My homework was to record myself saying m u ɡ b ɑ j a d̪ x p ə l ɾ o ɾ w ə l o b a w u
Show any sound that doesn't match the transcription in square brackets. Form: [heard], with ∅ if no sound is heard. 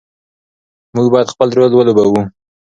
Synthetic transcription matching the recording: m u ɡ b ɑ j a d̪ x p ə l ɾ o [l] w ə l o b a w u